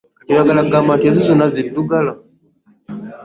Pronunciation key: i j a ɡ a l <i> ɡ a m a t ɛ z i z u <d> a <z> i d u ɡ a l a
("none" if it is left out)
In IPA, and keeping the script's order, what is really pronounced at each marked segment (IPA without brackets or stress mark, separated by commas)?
a, n, z